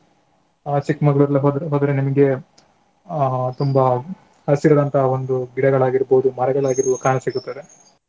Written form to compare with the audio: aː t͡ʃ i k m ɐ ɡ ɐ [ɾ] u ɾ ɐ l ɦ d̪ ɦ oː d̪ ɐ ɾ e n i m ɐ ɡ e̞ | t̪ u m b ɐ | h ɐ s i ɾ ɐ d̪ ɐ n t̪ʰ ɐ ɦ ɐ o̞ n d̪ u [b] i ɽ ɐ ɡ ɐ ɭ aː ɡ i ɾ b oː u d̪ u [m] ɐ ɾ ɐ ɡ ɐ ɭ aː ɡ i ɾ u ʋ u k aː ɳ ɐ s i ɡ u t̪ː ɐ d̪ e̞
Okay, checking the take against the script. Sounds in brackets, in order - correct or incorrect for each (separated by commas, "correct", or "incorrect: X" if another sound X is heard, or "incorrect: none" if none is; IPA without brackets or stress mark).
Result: incorrect: ɭ, incorrect: ɡ, correct